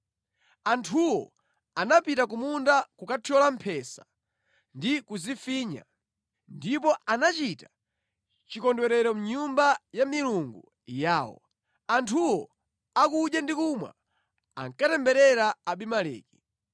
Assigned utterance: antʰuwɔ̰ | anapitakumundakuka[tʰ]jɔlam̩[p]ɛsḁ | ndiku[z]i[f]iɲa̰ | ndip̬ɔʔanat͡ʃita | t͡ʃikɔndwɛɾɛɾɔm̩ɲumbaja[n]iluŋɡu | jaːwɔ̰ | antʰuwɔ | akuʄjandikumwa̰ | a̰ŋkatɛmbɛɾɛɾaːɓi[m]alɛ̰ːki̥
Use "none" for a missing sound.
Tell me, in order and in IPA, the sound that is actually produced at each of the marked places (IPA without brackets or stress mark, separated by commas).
tʰ, pʰ, z, f, m, m